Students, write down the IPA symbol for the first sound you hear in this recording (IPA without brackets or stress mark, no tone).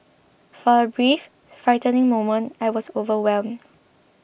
f